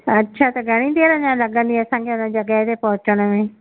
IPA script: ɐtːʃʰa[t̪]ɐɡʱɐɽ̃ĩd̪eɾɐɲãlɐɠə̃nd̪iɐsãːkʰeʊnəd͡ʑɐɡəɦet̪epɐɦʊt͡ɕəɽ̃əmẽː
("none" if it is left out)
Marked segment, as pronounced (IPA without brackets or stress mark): t̪